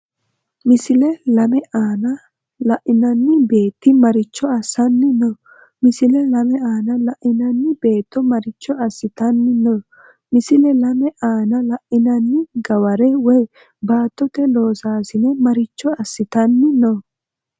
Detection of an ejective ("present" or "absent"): absent